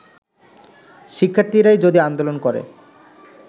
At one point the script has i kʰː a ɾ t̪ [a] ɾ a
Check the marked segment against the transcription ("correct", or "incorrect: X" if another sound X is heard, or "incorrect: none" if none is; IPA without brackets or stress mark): incorrect: i